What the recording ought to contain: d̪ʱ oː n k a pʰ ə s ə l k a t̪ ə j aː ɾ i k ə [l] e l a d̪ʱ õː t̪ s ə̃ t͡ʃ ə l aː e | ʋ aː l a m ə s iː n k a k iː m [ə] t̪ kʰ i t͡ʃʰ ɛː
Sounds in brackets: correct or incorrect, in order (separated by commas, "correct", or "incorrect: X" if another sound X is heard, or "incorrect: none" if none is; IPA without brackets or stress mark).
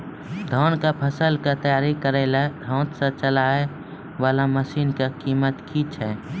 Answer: incorrect: ɾ, correct